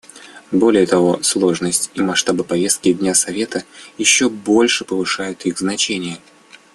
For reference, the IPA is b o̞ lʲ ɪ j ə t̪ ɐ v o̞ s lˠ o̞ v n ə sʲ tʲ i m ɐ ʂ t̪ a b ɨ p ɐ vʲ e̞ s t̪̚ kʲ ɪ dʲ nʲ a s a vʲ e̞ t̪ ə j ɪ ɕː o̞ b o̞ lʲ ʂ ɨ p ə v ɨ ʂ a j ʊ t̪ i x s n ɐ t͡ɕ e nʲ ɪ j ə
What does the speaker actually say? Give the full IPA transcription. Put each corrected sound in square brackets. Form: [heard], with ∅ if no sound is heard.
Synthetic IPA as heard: b o̞ lʲ ɪ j ə t̪ ɐ v o̞ s lˠ o̞ [ʐ] n ə sʲ tʲ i m ɐ ʂ t̪ a b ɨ p ɐ vʲ e̞ s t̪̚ kʲ ɪ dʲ nʲ a s [ɐ] vʲ e̞ t̪ ə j ɪ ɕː o̞ b o̞ lʲ ʂ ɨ p ə v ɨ ʂ a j ʊ t̪ i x [z] n ɐ t͡ɕ e nʲ ɪ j ə